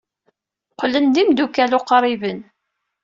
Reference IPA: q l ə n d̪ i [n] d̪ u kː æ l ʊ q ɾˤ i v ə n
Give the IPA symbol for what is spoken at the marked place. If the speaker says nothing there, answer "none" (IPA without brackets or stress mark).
m